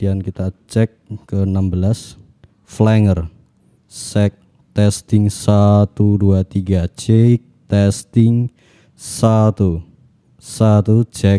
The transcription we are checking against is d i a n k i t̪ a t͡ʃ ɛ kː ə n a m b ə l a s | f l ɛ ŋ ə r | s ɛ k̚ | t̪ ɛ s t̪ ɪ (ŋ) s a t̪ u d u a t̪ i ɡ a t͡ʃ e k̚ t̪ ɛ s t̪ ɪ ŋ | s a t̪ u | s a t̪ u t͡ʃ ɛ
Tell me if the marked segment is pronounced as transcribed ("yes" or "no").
yes